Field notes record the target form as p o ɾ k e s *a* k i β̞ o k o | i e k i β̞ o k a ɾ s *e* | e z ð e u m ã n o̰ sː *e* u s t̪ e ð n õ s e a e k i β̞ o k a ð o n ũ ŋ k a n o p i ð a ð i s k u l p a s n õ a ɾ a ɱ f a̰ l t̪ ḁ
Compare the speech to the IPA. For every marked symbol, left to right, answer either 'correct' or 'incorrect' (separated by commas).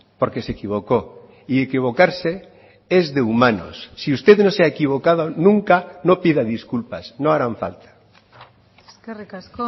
incorrect, correct, incorrect